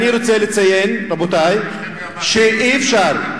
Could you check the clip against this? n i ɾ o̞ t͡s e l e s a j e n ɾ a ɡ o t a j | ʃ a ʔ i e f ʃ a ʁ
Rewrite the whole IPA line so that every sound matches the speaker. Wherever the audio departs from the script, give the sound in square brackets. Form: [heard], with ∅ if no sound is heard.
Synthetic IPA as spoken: n i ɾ o̞ t͡s e l e [t͡s] a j e n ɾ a [b] o t a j | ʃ [e] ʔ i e f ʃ a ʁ